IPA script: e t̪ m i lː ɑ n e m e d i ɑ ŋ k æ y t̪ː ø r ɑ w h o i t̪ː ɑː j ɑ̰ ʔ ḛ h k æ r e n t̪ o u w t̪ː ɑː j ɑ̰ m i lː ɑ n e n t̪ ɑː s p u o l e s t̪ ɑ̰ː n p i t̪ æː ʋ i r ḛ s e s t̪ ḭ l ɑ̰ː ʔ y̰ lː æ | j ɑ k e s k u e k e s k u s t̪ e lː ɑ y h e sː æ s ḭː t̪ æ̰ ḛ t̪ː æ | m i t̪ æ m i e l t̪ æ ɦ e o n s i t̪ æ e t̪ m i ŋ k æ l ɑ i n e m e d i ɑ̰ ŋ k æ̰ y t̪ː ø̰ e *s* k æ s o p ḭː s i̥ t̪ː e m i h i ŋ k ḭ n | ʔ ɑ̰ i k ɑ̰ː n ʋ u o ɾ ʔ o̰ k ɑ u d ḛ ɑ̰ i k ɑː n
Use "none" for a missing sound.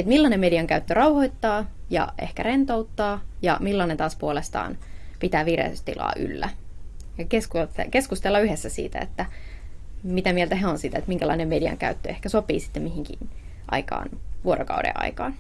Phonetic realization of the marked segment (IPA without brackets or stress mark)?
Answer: h